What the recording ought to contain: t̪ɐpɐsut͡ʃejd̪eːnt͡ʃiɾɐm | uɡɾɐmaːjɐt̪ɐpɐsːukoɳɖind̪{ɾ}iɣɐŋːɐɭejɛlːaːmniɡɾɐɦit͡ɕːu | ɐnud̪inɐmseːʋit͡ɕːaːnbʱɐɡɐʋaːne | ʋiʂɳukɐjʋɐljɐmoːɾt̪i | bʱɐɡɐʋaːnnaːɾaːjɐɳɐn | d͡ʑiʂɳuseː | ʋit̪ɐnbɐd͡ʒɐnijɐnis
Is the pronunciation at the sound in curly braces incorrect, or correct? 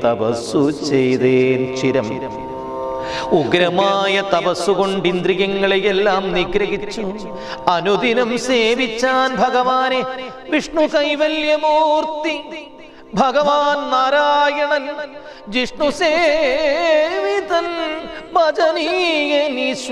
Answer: correct